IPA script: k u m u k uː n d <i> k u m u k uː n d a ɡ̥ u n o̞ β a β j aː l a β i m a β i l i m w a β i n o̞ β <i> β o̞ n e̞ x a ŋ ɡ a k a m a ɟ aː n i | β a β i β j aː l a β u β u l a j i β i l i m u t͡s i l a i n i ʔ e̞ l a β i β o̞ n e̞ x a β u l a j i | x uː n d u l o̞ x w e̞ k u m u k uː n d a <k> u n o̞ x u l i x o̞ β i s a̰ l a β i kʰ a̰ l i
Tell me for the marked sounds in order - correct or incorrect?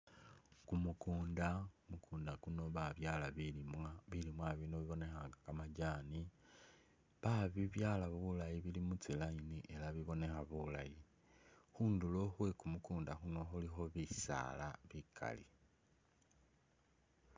incorrect: a, correct, incorrect: x

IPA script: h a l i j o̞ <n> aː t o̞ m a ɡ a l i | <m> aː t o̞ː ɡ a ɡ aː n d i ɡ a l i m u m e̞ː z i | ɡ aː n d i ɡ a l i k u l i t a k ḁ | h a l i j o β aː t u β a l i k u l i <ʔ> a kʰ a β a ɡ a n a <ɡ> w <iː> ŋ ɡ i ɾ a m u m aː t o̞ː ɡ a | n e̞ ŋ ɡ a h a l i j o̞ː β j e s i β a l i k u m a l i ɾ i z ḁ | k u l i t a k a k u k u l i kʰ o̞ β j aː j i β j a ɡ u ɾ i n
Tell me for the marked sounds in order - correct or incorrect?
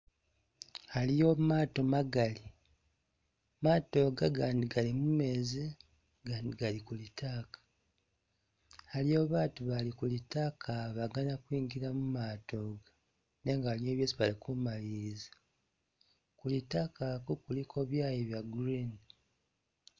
incorrect: m, correct, incorrect: t, incorrect: k, correct

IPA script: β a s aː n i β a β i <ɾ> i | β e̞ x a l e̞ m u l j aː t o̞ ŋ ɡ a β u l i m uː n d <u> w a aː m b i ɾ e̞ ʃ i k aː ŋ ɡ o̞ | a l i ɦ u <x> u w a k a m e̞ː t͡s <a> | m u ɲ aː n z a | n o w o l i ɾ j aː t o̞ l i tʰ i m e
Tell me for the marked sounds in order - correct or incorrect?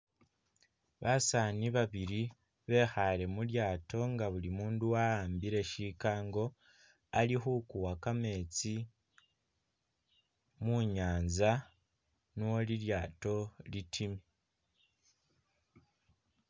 correct, correct, incorrect: k, incorrect: i

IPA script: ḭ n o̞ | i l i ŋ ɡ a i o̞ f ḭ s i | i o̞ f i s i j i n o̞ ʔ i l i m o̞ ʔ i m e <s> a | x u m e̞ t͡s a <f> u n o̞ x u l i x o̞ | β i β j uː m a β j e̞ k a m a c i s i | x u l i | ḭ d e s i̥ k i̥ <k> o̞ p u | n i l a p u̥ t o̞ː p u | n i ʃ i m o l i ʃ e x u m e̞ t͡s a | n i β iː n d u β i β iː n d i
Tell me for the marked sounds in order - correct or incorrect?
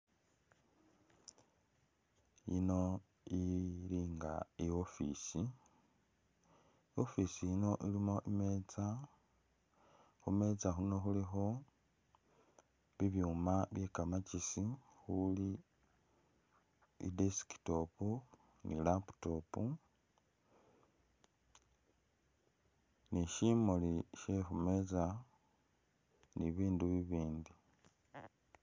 incorrect: t͡s, incorrect: x, incorrect: t

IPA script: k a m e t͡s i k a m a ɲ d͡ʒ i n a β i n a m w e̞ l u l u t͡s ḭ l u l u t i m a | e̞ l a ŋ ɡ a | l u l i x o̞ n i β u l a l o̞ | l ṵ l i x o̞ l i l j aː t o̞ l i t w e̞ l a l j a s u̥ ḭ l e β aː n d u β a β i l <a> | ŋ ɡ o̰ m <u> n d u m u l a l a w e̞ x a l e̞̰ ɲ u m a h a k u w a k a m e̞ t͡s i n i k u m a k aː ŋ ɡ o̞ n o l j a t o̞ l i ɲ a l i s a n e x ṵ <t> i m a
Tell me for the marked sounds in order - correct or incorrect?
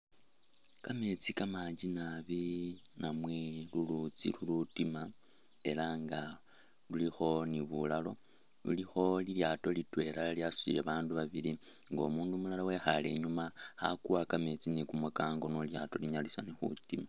incorrect: i, incorrect: uː, correct

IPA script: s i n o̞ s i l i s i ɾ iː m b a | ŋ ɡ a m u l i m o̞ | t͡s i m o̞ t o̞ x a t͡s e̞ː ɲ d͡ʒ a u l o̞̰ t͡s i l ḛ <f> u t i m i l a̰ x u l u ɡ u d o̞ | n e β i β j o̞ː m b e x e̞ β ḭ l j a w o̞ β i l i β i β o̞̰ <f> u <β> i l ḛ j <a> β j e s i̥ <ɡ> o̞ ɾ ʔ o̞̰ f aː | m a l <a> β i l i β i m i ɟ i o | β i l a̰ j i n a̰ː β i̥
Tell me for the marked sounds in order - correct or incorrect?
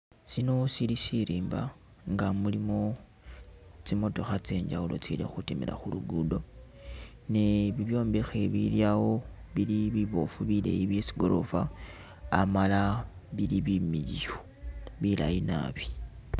incorrect: x, correct, correct, incorrect: i, correct, correct

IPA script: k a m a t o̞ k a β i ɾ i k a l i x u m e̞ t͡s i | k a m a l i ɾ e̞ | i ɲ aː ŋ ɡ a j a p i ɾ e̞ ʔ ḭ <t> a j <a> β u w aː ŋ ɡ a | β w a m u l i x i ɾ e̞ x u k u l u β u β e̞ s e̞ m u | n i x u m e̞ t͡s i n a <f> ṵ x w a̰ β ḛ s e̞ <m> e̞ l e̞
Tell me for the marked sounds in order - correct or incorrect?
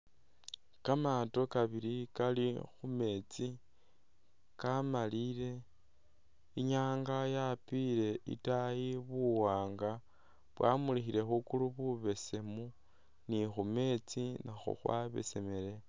correct, incorrect: i, incorrect: x, correct

